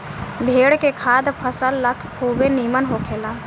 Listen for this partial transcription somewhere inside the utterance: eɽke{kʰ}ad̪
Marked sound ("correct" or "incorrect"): correct